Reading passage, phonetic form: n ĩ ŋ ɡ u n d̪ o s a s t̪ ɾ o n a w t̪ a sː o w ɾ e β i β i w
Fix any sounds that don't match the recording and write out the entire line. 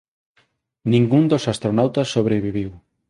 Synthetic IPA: n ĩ ŋ ɡ u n d̪ o s a s t̪ ɾ o n a w t̪ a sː o β ɾ e β i β i w